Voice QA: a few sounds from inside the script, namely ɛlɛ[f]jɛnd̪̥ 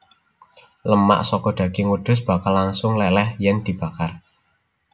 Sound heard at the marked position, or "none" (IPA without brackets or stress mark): h